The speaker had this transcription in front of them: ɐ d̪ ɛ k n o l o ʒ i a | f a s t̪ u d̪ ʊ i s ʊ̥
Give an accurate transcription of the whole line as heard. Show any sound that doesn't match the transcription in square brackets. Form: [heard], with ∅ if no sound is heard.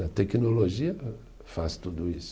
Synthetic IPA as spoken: ɐ [t̪] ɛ k n o l o ʒ i [ɐ] | f a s t̪ u d̪ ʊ i s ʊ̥